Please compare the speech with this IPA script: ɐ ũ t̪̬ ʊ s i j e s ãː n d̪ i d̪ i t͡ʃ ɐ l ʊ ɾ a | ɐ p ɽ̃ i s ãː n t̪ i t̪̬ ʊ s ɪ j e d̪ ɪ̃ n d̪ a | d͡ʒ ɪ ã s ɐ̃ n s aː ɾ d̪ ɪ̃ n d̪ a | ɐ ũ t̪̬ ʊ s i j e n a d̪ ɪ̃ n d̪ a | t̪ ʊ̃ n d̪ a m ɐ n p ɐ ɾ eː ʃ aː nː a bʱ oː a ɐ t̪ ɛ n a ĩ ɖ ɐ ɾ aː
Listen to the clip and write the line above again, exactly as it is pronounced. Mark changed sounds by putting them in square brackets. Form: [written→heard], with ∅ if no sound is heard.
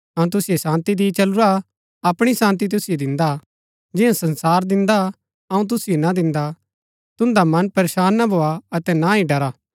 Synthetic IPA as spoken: ɐ ũ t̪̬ ʊ s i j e s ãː n [d̪→t̪] i d̪ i t͡ʃ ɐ l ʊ ɾ a | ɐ p ɽ̃ i s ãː n t̪ i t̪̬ ʊ s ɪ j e d̪ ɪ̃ n d̪ a | d͡ʒ ɪ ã s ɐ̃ n s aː ɾ d̪ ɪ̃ n d̪ a | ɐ ũ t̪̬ ʊ s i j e n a d̪ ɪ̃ n d̪ a | t̪ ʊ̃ n d̪ a m ɐ n p ɐ ɾ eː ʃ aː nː a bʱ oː a ɐ t̪ ɛ n a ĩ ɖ ɐ ɾ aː